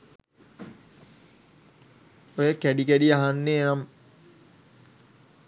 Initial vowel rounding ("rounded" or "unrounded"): rounded